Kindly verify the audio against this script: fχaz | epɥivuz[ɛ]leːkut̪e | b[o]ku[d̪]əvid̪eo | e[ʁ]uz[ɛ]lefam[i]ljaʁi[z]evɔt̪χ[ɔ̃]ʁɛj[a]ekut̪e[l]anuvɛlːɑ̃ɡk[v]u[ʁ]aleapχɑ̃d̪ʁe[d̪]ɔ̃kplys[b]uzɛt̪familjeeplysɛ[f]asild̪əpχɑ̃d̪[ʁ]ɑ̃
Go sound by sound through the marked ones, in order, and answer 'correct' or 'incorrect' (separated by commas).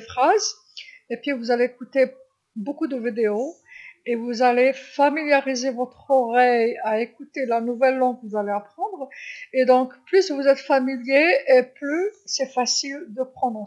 incorrect, correct, correct, incorrect, incorrect, correct, correct, incorrect, correct, correct, correct, incorrect, correct, incorrect, correct, correct